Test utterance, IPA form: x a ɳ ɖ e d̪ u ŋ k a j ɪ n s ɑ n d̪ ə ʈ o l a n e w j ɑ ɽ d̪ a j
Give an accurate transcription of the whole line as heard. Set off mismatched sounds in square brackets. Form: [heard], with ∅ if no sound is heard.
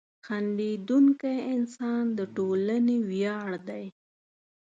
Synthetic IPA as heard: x a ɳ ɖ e d̪ u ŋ k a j ɪ n s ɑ n d̪ ə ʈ o l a n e w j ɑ ɽ d̪ a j

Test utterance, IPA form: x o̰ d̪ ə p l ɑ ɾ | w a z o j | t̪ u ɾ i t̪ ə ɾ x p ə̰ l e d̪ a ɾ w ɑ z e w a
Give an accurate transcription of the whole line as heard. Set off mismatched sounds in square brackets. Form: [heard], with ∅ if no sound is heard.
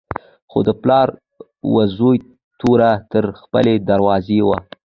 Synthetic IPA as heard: x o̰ d̪ ə p l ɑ ɾ | w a z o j | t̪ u ɾ [a] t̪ ə ɾ x p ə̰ l e d̪ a ɾ w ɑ z e w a

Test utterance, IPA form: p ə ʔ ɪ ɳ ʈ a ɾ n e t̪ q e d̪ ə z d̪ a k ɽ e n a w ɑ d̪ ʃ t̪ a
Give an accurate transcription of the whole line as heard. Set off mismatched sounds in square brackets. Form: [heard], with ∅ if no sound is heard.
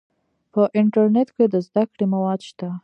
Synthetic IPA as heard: p ə ʔ ɪ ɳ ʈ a ɾ n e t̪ [k] e d̪ ə z d̪ a k ɽ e [m] a w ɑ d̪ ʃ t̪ a

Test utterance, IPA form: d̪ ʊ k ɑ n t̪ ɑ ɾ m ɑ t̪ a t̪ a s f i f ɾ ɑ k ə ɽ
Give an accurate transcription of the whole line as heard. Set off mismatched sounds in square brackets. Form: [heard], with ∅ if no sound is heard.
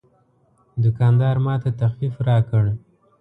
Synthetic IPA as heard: d̪ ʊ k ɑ n [d̪] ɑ ɾ m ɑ t̪ a t̪ a [x] f i f ɾ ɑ k ə ɽ

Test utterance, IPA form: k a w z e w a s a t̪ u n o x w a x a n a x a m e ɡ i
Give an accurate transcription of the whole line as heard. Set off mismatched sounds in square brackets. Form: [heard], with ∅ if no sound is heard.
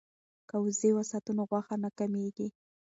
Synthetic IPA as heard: k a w z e w a s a t̪ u n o [ɣ] w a x a n a [k] a m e ɡ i

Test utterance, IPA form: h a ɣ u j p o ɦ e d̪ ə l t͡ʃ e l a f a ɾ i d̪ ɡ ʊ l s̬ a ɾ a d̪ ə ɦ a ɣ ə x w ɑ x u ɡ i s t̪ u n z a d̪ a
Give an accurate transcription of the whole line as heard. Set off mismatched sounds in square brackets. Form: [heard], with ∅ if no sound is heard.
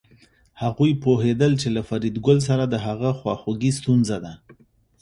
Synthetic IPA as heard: h a ɣ u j p o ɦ e d̪ ə l t͡ʃ e l a f a ɾ i d̪ ɡ ʊ l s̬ a ɾ a d̪ ə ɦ a ɣ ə x w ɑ x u ɡ i s t̪ u n z a d̪ a

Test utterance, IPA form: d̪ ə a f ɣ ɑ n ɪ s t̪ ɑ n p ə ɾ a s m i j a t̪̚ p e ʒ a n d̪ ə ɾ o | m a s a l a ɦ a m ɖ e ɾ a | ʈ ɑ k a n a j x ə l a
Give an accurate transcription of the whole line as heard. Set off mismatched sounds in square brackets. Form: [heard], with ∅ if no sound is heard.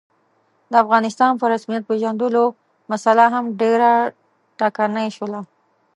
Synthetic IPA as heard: d̪ ə a f ɣ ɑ n ɪ s t̪ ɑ n p ə ɾ a s m i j a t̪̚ p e ʒ a n d̪ ə [l] o | m a s a l a ɦ a m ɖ e ɾ a | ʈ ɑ k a n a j [ʃ] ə l a

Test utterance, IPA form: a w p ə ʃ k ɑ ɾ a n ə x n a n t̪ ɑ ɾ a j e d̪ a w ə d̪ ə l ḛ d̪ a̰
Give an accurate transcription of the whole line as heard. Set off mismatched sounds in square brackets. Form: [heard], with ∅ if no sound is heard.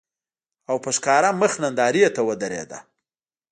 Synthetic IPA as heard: a w p ə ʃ k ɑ ɾ a [m] ə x n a n [d̪] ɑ ɾ [i] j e [t̪] a w ə d̪ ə [ɾ] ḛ d̪ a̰

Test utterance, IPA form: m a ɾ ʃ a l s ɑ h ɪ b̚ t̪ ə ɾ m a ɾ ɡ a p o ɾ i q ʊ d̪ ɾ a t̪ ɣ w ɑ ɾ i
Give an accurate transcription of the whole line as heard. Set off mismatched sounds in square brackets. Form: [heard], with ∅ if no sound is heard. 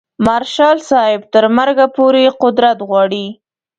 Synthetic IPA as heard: m a ɾ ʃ [ɑ] l s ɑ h ɪ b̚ t̪ ə ɾ m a ɾ ɡ a p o ɾ [e] q ʊ d̪ ɾ a t̪ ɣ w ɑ [ɽ] i

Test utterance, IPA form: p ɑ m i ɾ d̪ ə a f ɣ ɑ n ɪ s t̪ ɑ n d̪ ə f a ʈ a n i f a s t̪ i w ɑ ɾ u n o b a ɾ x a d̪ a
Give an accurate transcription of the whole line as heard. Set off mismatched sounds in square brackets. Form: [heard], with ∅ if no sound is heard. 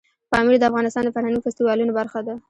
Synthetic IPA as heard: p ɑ m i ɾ d̪ ə a f ɣ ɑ n ɪ s t̪ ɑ n d̪ ə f a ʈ a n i f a s t̪ i w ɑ [l] u n o b a ɾ x a d̪ a

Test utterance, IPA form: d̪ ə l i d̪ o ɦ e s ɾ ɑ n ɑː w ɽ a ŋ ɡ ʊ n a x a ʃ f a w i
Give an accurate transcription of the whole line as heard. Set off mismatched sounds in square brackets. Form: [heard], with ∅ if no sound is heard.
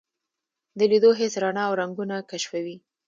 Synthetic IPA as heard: d̪ ə l i d̪ o ɦ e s ɾ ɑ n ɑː w [ɾ] a ŋ ɡ [u] n a [k] a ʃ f a w i

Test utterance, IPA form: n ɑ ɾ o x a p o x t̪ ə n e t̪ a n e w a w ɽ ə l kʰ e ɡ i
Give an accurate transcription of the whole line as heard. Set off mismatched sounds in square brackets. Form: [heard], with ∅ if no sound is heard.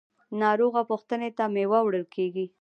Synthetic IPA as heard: n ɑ ɾ o [ɣ] a p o x t̪ ə n e t̪ a [m] e w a w ɽ ə l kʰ e ɡ i

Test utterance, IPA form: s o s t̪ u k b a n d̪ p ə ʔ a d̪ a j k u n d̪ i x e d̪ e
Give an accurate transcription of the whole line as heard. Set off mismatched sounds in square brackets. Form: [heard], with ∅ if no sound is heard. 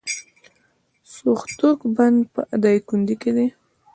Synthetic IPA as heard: s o [x] t̪ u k b a n d̪ p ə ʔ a d̪ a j k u n d̪ i [k] e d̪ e

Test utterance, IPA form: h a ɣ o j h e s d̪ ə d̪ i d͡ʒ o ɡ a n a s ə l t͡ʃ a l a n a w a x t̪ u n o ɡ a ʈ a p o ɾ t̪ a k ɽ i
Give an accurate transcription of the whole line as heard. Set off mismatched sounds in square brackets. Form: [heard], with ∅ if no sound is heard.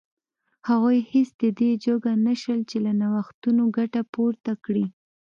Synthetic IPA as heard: h a ɣ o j h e s d̪ ə d̪ [e] d͡ʒ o ɡ a n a [ʃ] ə l t͡ʃ [e] l a n a w a x t̪ u n o ɡ a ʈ a p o ɾ t̪ a k ɽ i

